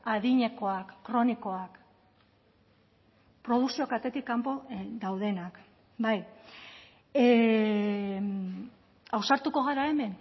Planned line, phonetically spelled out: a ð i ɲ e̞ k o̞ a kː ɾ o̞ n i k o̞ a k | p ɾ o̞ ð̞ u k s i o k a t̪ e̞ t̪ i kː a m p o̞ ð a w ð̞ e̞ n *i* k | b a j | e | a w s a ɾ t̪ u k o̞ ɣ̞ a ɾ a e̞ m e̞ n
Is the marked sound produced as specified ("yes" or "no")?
no